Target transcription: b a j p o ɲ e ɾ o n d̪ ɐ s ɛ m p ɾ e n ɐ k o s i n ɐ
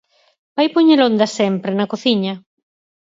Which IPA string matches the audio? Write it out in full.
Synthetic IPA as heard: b a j p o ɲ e l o n d̪ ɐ s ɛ m p ɾ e n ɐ k o θ i ɲ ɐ